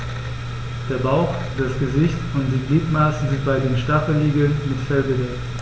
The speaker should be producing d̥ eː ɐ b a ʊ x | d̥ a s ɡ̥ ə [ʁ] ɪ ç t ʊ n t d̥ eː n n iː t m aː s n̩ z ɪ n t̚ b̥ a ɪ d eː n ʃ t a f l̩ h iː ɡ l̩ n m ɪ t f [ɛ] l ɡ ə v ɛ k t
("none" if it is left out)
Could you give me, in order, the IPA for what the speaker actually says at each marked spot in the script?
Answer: z, ɛ

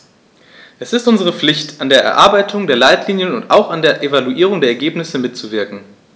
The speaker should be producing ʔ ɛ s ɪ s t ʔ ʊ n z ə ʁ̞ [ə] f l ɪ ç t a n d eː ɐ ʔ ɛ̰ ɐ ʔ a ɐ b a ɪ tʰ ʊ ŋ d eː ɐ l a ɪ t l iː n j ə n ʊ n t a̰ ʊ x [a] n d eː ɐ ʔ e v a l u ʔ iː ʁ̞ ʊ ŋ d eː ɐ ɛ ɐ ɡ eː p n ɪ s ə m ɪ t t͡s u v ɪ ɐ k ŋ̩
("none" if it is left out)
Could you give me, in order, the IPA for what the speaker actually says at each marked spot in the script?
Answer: ə, a

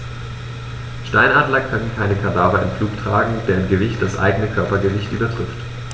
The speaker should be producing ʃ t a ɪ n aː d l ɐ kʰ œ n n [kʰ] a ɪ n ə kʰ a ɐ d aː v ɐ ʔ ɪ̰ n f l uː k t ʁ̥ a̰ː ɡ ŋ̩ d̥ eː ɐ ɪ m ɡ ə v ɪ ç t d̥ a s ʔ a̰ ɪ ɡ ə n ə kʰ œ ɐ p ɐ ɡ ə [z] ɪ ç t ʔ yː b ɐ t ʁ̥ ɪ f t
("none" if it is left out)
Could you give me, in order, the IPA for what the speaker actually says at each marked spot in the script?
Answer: kʰ, v

